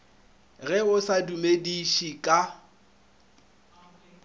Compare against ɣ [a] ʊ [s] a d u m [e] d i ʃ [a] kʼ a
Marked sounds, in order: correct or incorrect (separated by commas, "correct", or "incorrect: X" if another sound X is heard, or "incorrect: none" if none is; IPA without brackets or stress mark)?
incorrect: ɛ, correct, correct, incorrect: i